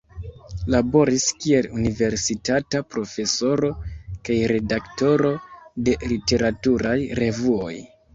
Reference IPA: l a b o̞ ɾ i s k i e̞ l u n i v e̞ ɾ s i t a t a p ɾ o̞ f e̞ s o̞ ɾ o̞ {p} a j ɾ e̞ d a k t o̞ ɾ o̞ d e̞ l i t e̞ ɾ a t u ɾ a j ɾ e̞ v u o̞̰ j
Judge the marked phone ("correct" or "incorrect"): incorrect